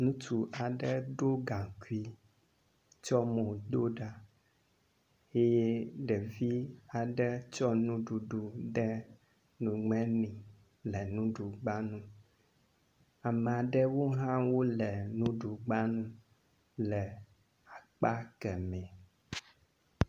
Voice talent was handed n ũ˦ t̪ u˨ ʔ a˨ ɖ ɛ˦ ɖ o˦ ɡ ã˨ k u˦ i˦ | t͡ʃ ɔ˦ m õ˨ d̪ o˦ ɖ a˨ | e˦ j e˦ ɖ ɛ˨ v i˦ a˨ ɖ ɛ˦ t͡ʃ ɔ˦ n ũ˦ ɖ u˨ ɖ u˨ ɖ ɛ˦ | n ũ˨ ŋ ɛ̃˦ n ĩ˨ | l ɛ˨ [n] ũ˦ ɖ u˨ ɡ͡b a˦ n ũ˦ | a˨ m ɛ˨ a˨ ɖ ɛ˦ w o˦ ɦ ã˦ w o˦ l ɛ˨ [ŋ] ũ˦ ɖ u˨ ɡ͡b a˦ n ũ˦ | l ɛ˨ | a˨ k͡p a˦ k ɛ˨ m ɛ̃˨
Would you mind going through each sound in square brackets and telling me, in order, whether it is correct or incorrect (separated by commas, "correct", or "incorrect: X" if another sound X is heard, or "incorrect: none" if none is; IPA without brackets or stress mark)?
correct, incorrect: n